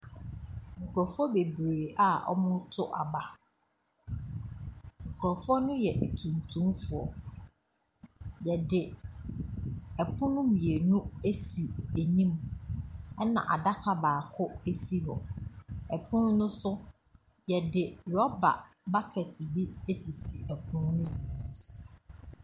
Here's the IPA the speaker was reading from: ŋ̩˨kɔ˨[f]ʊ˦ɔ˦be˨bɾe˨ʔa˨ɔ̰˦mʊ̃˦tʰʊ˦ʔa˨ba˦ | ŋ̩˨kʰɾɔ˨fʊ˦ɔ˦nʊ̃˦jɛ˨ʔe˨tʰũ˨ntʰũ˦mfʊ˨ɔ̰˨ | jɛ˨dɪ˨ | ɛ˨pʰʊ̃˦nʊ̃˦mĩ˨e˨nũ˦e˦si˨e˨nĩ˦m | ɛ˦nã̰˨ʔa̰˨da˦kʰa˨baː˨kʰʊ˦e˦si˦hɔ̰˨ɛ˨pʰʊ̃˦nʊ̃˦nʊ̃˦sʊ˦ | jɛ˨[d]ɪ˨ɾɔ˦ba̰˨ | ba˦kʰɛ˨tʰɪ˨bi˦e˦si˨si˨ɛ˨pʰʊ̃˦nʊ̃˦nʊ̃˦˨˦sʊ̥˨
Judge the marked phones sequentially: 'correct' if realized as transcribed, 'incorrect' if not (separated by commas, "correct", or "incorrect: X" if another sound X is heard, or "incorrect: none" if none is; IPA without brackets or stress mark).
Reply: correct, correct